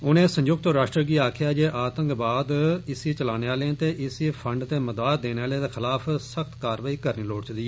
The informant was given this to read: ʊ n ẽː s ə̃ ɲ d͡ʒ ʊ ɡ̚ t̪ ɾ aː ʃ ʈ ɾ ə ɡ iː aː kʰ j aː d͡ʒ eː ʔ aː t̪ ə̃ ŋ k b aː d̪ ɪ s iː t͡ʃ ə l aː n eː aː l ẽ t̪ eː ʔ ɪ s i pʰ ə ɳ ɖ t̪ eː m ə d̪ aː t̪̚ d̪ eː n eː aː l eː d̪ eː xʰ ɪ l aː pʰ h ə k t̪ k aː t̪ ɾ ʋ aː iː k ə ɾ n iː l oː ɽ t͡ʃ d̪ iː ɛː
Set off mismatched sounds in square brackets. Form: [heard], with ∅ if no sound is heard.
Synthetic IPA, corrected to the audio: ʊ n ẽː s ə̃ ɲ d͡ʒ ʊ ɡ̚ t̪ ɾ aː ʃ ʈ ɾ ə ɡ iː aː kʰ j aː d͡ʒ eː ʔ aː t̪ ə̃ ŋ k b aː d̪ ɪ s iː t͡ʃ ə l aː n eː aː l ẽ t̪ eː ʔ ɪ s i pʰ ə ɳ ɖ t̪ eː m ə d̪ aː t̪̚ d̪ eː n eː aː l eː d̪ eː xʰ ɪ l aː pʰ [s] ə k t̪ k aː [∅] ɾ ʋ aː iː k ə ɾ n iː l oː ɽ t͡ʃ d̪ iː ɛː